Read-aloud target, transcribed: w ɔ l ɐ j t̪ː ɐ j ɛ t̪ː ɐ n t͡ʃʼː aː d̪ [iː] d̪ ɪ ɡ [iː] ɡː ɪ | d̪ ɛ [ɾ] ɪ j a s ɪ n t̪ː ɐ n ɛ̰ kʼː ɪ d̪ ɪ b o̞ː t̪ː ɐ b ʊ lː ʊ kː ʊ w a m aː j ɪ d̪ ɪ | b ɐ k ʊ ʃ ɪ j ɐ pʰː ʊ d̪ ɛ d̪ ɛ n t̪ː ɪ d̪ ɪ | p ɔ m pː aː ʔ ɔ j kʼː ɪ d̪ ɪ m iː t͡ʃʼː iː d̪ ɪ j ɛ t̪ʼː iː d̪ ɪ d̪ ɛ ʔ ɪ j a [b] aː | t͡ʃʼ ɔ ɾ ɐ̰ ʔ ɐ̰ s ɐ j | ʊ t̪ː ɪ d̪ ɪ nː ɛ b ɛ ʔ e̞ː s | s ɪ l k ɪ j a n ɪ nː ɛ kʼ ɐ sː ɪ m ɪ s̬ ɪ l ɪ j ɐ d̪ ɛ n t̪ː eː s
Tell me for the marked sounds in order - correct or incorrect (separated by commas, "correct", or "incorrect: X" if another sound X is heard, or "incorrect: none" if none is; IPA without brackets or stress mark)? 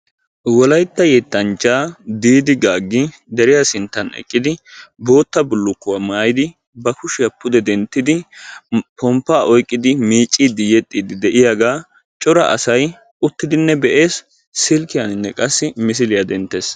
correct, incorrect: aː, correct, incorrect: ɡ